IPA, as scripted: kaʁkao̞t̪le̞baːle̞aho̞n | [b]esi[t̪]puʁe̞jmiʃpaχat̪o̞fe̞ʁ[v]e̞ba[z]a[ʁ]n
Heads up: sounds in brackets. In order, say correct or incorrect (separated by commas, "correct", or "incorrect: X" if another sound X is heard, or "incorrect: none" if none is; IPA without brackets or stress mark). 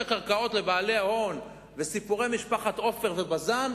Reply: incorrect: v, incorrect: none, correct, correct, incorrect: none